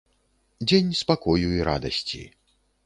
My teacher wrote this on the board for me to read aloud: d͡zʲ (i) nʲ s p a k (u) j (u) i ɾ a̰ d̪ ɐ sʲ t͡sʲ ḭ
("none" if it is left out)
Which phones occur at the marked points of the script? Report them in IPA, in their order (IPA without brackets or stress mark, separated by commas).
e, ɔ, u